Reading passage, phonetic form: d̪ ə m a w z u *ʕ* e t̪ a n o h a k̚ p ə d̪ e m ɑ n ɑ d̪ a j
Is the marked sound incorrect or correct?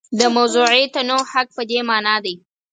correct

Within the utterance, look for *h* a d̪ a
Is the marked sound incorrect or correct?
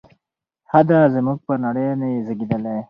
correct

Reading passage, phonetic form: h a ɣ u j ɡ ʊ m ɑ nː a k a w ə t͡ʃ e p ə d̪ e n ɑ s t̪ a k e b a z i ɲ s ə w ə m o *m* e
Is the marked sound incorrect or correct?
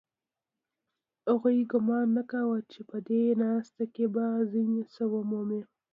correct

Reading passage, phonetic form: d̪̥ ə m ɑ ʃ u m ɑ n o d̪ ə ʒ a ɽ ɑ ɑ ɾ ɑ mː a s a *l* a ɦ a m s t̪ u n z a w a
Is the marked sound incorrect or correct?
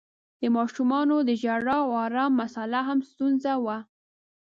correct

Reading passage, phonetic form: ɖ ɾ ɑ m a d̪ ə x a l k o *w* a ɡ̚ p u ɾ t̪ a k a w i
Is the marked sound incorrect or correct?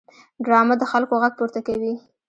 incorrect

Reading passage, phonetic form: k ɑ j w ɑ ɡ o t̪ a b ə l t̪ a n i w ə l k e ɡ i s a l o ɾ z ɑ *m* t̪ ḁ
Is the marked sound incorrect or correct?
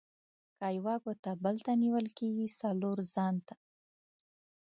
incorrect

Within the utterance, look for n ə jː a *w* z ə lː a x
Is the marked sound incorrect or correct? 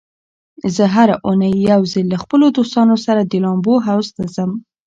correct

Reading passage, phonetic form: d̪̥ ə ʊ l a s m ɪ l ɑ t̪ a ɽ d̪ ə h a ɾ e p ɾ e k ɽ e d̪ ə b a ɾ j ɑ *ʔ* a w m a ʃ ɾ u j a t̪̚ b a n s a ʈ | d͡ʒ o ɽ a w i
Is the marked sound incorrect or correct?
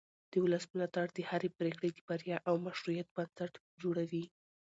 correct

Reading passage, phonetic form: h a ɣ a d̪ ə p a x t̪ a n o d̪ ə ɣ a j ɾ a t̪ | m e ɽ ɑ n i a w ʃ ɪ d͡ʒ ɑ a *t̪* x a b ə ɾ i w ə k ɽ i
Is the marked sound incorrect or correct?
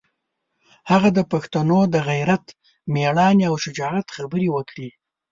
correct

